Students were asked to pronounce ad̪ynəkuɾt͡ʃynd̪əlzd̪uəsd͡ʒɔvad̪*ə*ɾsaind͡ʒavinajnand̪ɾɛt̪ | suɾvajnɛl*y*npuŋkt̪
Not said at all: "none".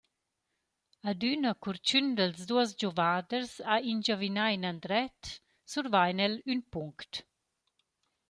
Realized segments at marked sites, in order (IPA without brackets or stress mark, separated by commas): ə, y